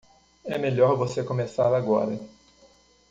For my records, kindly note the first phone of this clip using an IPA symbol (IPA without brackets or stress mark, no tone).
ɛ